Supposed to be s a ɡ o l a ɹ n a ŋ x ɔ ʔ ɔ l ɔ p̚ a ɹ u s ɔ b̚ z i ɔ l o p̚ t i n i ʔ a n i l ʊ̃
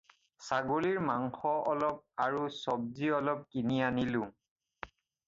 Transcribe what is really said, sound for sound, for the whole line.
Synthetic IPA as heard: s a ɡ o l i ɹ m a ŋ x ɔ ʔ ɔ l ɔ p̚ a ɹ u s ɔ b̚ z i ɔ l ɔ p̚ k i n i a n i l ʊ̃